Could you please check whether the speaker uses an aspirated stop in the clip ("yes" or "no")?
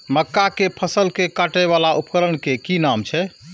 yes